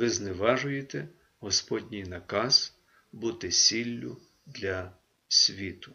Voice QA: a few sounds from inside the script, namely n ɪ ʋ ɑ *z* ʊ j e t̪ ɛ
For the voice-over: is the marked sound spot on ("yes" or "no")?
no